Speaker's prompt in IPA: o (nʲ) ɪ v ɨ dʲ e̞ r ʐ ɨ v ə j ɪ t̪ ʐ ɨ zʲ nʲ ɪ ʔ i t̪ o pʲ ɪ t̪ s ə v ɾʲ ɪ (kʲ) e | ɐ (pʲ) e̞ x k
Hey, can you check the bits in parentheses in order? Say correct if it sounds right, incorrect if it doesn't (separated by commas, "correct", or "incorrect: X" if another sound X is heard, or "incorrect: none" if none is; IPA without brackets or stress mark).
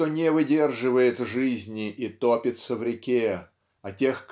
correct, correct, incorrect: tʲ